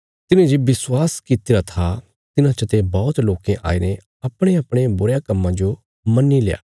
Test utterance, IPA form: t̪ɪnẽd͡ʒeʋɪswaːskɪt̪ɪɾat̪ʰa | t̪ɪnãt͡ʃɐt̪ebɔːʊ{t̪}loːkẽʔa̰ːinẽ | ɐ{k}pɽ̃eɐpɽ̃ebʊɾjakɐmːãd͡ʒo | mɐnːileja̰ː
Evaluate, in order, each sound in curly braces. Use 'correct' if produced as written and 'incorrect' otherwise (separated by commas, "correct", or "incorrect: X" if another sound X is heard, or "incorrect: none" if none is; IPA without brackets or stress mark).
correct, incorrect: none